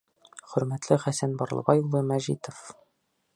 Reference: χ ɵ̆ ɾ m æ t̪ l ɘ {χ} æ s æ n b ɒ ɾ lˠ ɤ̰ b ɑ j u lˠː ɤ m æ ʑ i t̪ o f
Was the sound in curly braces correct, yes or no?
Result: yes